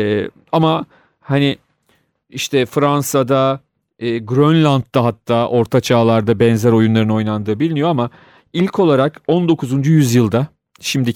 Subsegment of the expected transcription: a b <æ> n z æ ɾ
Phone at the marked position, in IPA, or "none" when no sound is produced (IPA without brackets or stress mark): ɛ